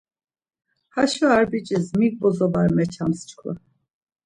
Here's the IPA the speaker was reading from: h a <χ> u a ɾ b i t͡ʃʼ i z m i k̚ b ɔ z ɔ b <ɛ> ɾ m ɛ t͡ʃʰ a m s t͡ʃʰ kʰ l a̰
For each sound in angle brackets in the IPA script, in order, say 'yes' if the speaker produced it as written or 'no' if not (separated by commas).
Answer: no, no